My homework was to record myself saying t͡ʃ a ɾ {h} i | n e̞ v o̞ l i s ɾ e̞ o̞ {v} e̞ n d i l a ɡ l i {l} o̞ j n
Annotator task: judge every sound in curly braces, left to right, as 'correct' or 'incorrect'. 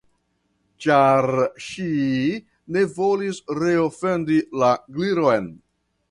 incorrect, incorrect, incorrect

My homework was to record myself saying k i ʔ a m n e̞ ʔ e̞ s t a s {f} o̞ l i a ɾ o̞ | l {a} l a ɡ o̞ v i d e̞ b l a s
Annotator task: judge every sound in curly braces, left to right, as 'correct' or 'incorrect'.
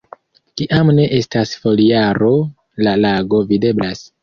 correct, correct

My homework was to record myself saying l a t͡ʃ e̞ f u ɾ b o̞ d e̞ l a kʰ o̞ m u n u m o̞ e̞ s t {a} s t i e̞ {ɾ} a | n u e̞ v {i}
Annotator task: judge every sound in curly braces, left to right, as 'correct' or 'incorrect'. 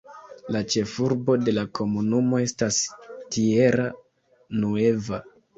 correct, correct, incorrect

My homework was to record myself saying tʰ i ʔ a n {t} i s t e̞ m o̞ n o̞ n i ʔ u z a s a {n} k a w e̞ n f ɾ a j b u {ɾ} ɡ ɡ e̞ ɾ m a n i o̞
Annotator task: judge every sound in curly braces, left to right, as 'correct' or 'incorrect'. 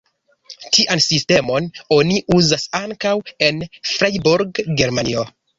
incorrect, incorrect, correct

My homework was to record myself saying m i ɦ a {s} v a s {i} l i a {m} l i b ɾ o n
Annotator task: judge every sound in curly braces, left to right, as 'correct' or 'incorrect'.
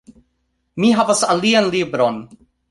incorrect, incorrect, incorrect

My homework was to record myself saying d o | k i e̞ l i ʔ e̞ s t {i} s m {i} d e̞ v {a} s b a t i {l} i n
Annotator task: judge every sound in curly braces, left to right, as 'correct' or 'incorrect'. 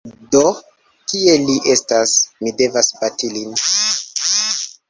incorrect, correct, correct, correct

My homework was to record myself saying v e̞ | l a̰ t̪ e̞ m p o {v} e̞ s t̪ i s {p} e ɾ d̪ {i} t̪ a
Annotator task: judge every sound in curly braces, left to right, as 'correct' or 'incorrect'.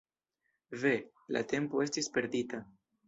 incorrect, correct, correct

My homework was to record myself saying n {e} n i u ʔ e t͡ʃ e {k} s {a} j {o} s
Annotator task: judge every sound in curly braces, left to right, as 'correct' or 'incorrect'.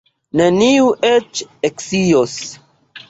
correct, correct, incorrect, correct

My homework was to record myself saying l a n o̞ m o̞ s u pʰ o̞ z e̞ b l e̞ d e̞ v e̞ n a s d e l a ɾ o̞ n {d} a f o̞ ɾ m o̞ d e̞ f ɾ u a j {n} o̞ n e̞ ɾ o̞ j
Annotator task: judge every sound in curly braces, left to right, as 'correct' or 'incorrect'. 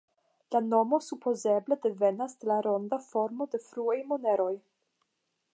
correct, incorrect

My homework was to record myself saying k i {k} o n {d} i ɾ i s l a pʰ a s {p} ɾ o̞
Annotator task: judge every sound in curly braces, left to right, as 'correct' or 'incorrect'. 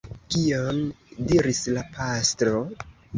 incorrect, correct, incorrect

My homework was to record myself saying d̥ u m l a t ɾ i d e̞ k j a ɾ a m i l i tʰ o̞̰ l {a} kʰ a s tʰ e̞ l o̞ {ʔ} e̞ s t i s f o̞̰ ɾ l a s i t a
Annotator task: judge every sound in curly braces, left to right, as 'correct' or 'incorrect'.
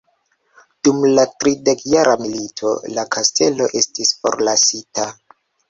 correct, correct

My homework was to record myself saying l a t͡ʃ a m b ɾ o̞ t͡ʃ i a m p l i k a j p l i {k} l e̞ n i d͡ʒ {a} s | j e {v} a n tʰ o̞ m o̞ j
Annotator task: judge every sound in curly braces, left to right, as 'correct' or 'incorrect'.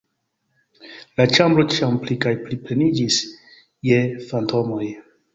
incorrect, incorrect, incorrect

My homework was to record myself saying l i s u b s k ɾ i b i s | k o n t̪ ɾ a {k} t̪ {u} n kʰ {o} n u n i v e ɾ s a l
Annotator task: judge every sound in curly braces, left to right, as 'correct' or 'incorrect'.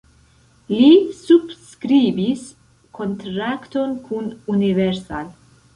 correct, incorrect, incorrect

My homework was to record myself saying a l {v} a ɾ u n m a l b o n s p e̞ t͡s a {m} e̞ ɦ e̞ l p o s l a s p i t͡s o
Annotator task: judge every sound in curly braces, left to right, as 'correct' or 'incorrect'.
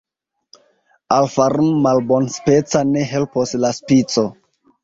incorrect, incorrect

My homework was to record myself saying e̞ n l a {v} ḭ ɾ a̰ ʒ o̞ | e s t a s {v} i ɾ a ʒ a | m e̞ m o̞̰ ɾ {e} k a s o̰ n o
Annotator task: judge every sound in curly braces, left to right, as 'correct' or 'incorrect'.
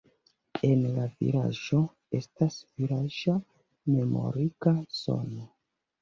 correct, correct, incorrect

